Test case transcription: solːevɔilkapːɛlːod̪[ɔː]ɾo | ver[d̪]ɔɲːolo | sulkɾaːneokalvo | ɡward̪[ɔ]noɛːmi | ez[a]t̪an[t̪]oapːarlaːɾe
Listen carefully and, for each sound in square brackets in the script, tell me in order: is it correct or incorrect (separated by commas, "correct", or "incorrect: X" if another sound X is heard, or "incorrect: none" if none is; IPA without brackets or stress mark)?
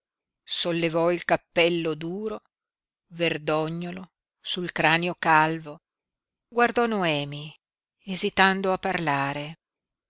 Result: incorrect: uː, correct, correct, incorrect: i, incorrect: d̪